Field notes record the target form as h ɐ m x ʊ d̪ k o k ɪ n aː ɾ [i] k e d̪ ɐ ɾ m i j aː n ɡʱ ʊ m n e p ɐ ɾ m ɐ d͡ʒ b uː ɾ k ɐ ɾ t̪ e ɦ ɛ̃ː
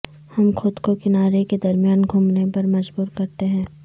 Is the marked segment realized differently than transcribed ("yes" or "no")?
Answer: yes